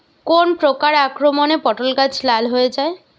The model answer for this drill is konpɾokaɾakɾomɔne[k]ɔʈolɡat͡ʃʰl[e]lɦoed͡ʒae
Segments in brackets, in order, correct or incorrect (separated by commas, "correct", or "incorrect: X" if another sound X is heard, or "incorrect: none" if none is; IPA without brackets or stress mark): incorrect: p, incorrect: a